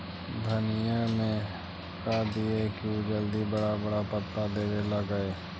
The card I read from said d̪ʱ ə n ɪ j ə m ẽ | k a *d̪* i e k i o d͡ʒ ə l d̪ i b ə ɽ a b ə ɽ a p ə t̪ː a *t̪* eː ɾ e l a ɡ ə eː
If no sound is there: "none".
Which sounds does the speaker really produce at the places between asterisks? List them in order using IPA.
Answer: d̪, d̪

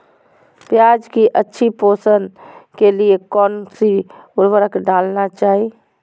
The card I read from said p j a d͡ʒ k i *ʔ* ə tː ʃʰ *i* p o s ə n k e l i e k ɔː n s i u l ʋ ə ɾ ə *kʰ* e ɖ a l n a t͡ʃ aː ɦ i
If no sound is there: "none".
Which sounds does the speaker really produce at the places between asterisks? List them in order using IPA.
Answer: ʔ, i, k

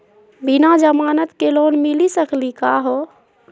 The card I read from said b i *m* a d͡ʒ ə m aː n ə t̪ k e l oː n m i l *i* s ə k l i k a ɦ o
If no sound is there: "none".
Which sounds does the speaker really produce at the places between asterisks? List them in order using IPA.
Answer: n, i

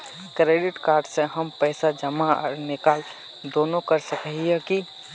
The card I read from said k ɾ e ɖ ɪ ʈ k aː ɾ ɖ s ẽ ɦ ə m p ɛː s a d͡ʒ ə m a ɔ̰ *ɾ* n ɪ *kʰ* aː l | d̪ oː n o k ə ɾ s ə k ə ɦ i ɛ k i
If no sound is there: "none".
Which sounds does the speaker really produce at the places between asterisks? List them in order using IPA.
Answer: ɾ, k

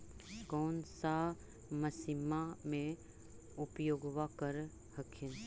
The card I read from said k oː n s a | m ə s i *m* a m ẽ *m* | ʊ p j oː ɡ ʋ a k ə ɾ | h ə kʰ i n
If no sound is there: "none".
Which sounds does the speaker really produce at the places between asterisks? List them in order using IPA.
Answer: m, none

